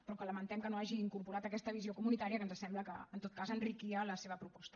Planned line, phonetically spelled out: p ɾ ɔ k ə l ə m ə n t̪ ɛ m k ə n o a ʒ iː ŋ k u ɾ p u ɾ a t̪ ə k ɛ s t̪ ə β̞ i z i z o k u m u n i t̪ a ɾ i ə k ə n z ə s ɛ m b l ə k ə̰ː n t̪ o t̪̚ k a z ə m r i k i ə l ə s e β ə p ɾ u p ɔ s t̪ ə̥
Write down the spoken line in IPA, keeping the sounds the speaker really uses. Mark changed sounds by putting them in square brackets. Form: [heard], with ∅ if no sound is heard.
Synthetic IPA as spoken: p ɾ ɔ k ə l ə m ə n t̪ ɛ m k ə n o a ʒ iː ŋ k u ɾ p u ɾ a t̪ ə k ɛ s t̪ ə β̞ i z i [∅] o k u m u n i t̪ a ɾ i ə k ə n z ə s ɛ m b l ə k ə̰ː n t̪ o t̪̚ k a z ə [n] r i k i ə l ə s e β ə p ɾ u p ɔ s t̪ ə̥